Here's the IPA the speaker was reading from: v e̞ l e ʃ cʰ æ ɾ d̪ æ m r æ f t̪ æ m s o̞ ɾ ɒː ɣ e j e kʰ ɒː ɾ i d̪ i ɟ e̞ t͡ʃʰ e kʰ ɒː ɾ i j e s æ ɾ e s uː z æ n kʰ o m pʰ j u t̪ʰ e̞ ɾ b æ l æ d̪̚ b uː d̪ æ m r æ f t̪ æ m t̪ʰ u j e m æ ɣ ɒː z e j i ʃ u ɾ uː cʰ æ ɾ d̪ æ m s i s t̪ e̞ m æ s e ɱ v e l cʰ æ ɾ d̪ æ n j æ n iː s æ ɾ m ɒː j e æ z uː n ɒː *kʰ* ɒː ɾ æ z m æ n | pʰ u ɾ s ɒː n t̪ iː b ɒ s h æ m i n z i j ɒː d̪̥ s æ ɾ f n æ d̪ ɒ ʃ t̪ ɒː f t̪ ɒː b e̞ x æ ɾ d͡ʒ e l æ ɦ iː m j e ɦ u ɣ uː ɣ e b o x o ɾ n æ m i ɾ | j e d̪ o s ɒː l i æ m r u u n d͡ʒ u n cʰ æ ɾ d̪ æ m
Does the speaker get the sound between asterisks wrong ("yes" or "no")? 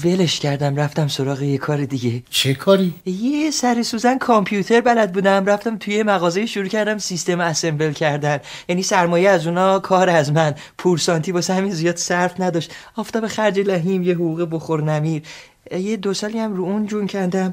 no